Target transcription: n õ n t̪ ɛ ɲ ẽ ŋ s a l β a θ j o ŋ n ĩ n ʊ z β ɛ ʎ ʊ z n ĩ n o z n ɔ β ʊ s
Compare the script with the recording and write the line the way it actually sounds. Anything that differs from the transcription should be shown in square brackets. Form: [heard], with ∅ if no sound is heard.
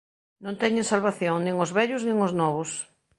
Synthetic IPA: n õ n t̪ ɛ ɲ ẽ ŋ s a l β a θ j o ŋ n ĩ [ŋ] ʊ z β ɛ ʎ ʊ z n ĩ [ŋ] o z n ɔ β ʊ s